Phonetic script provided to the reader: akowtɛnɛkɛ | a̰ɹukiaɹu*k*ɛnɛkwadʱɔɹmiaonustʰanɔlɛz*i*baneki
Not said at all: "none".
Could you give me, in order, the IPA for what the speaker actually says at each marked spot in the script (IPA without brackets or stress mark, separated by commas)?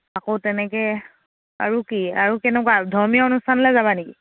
k, a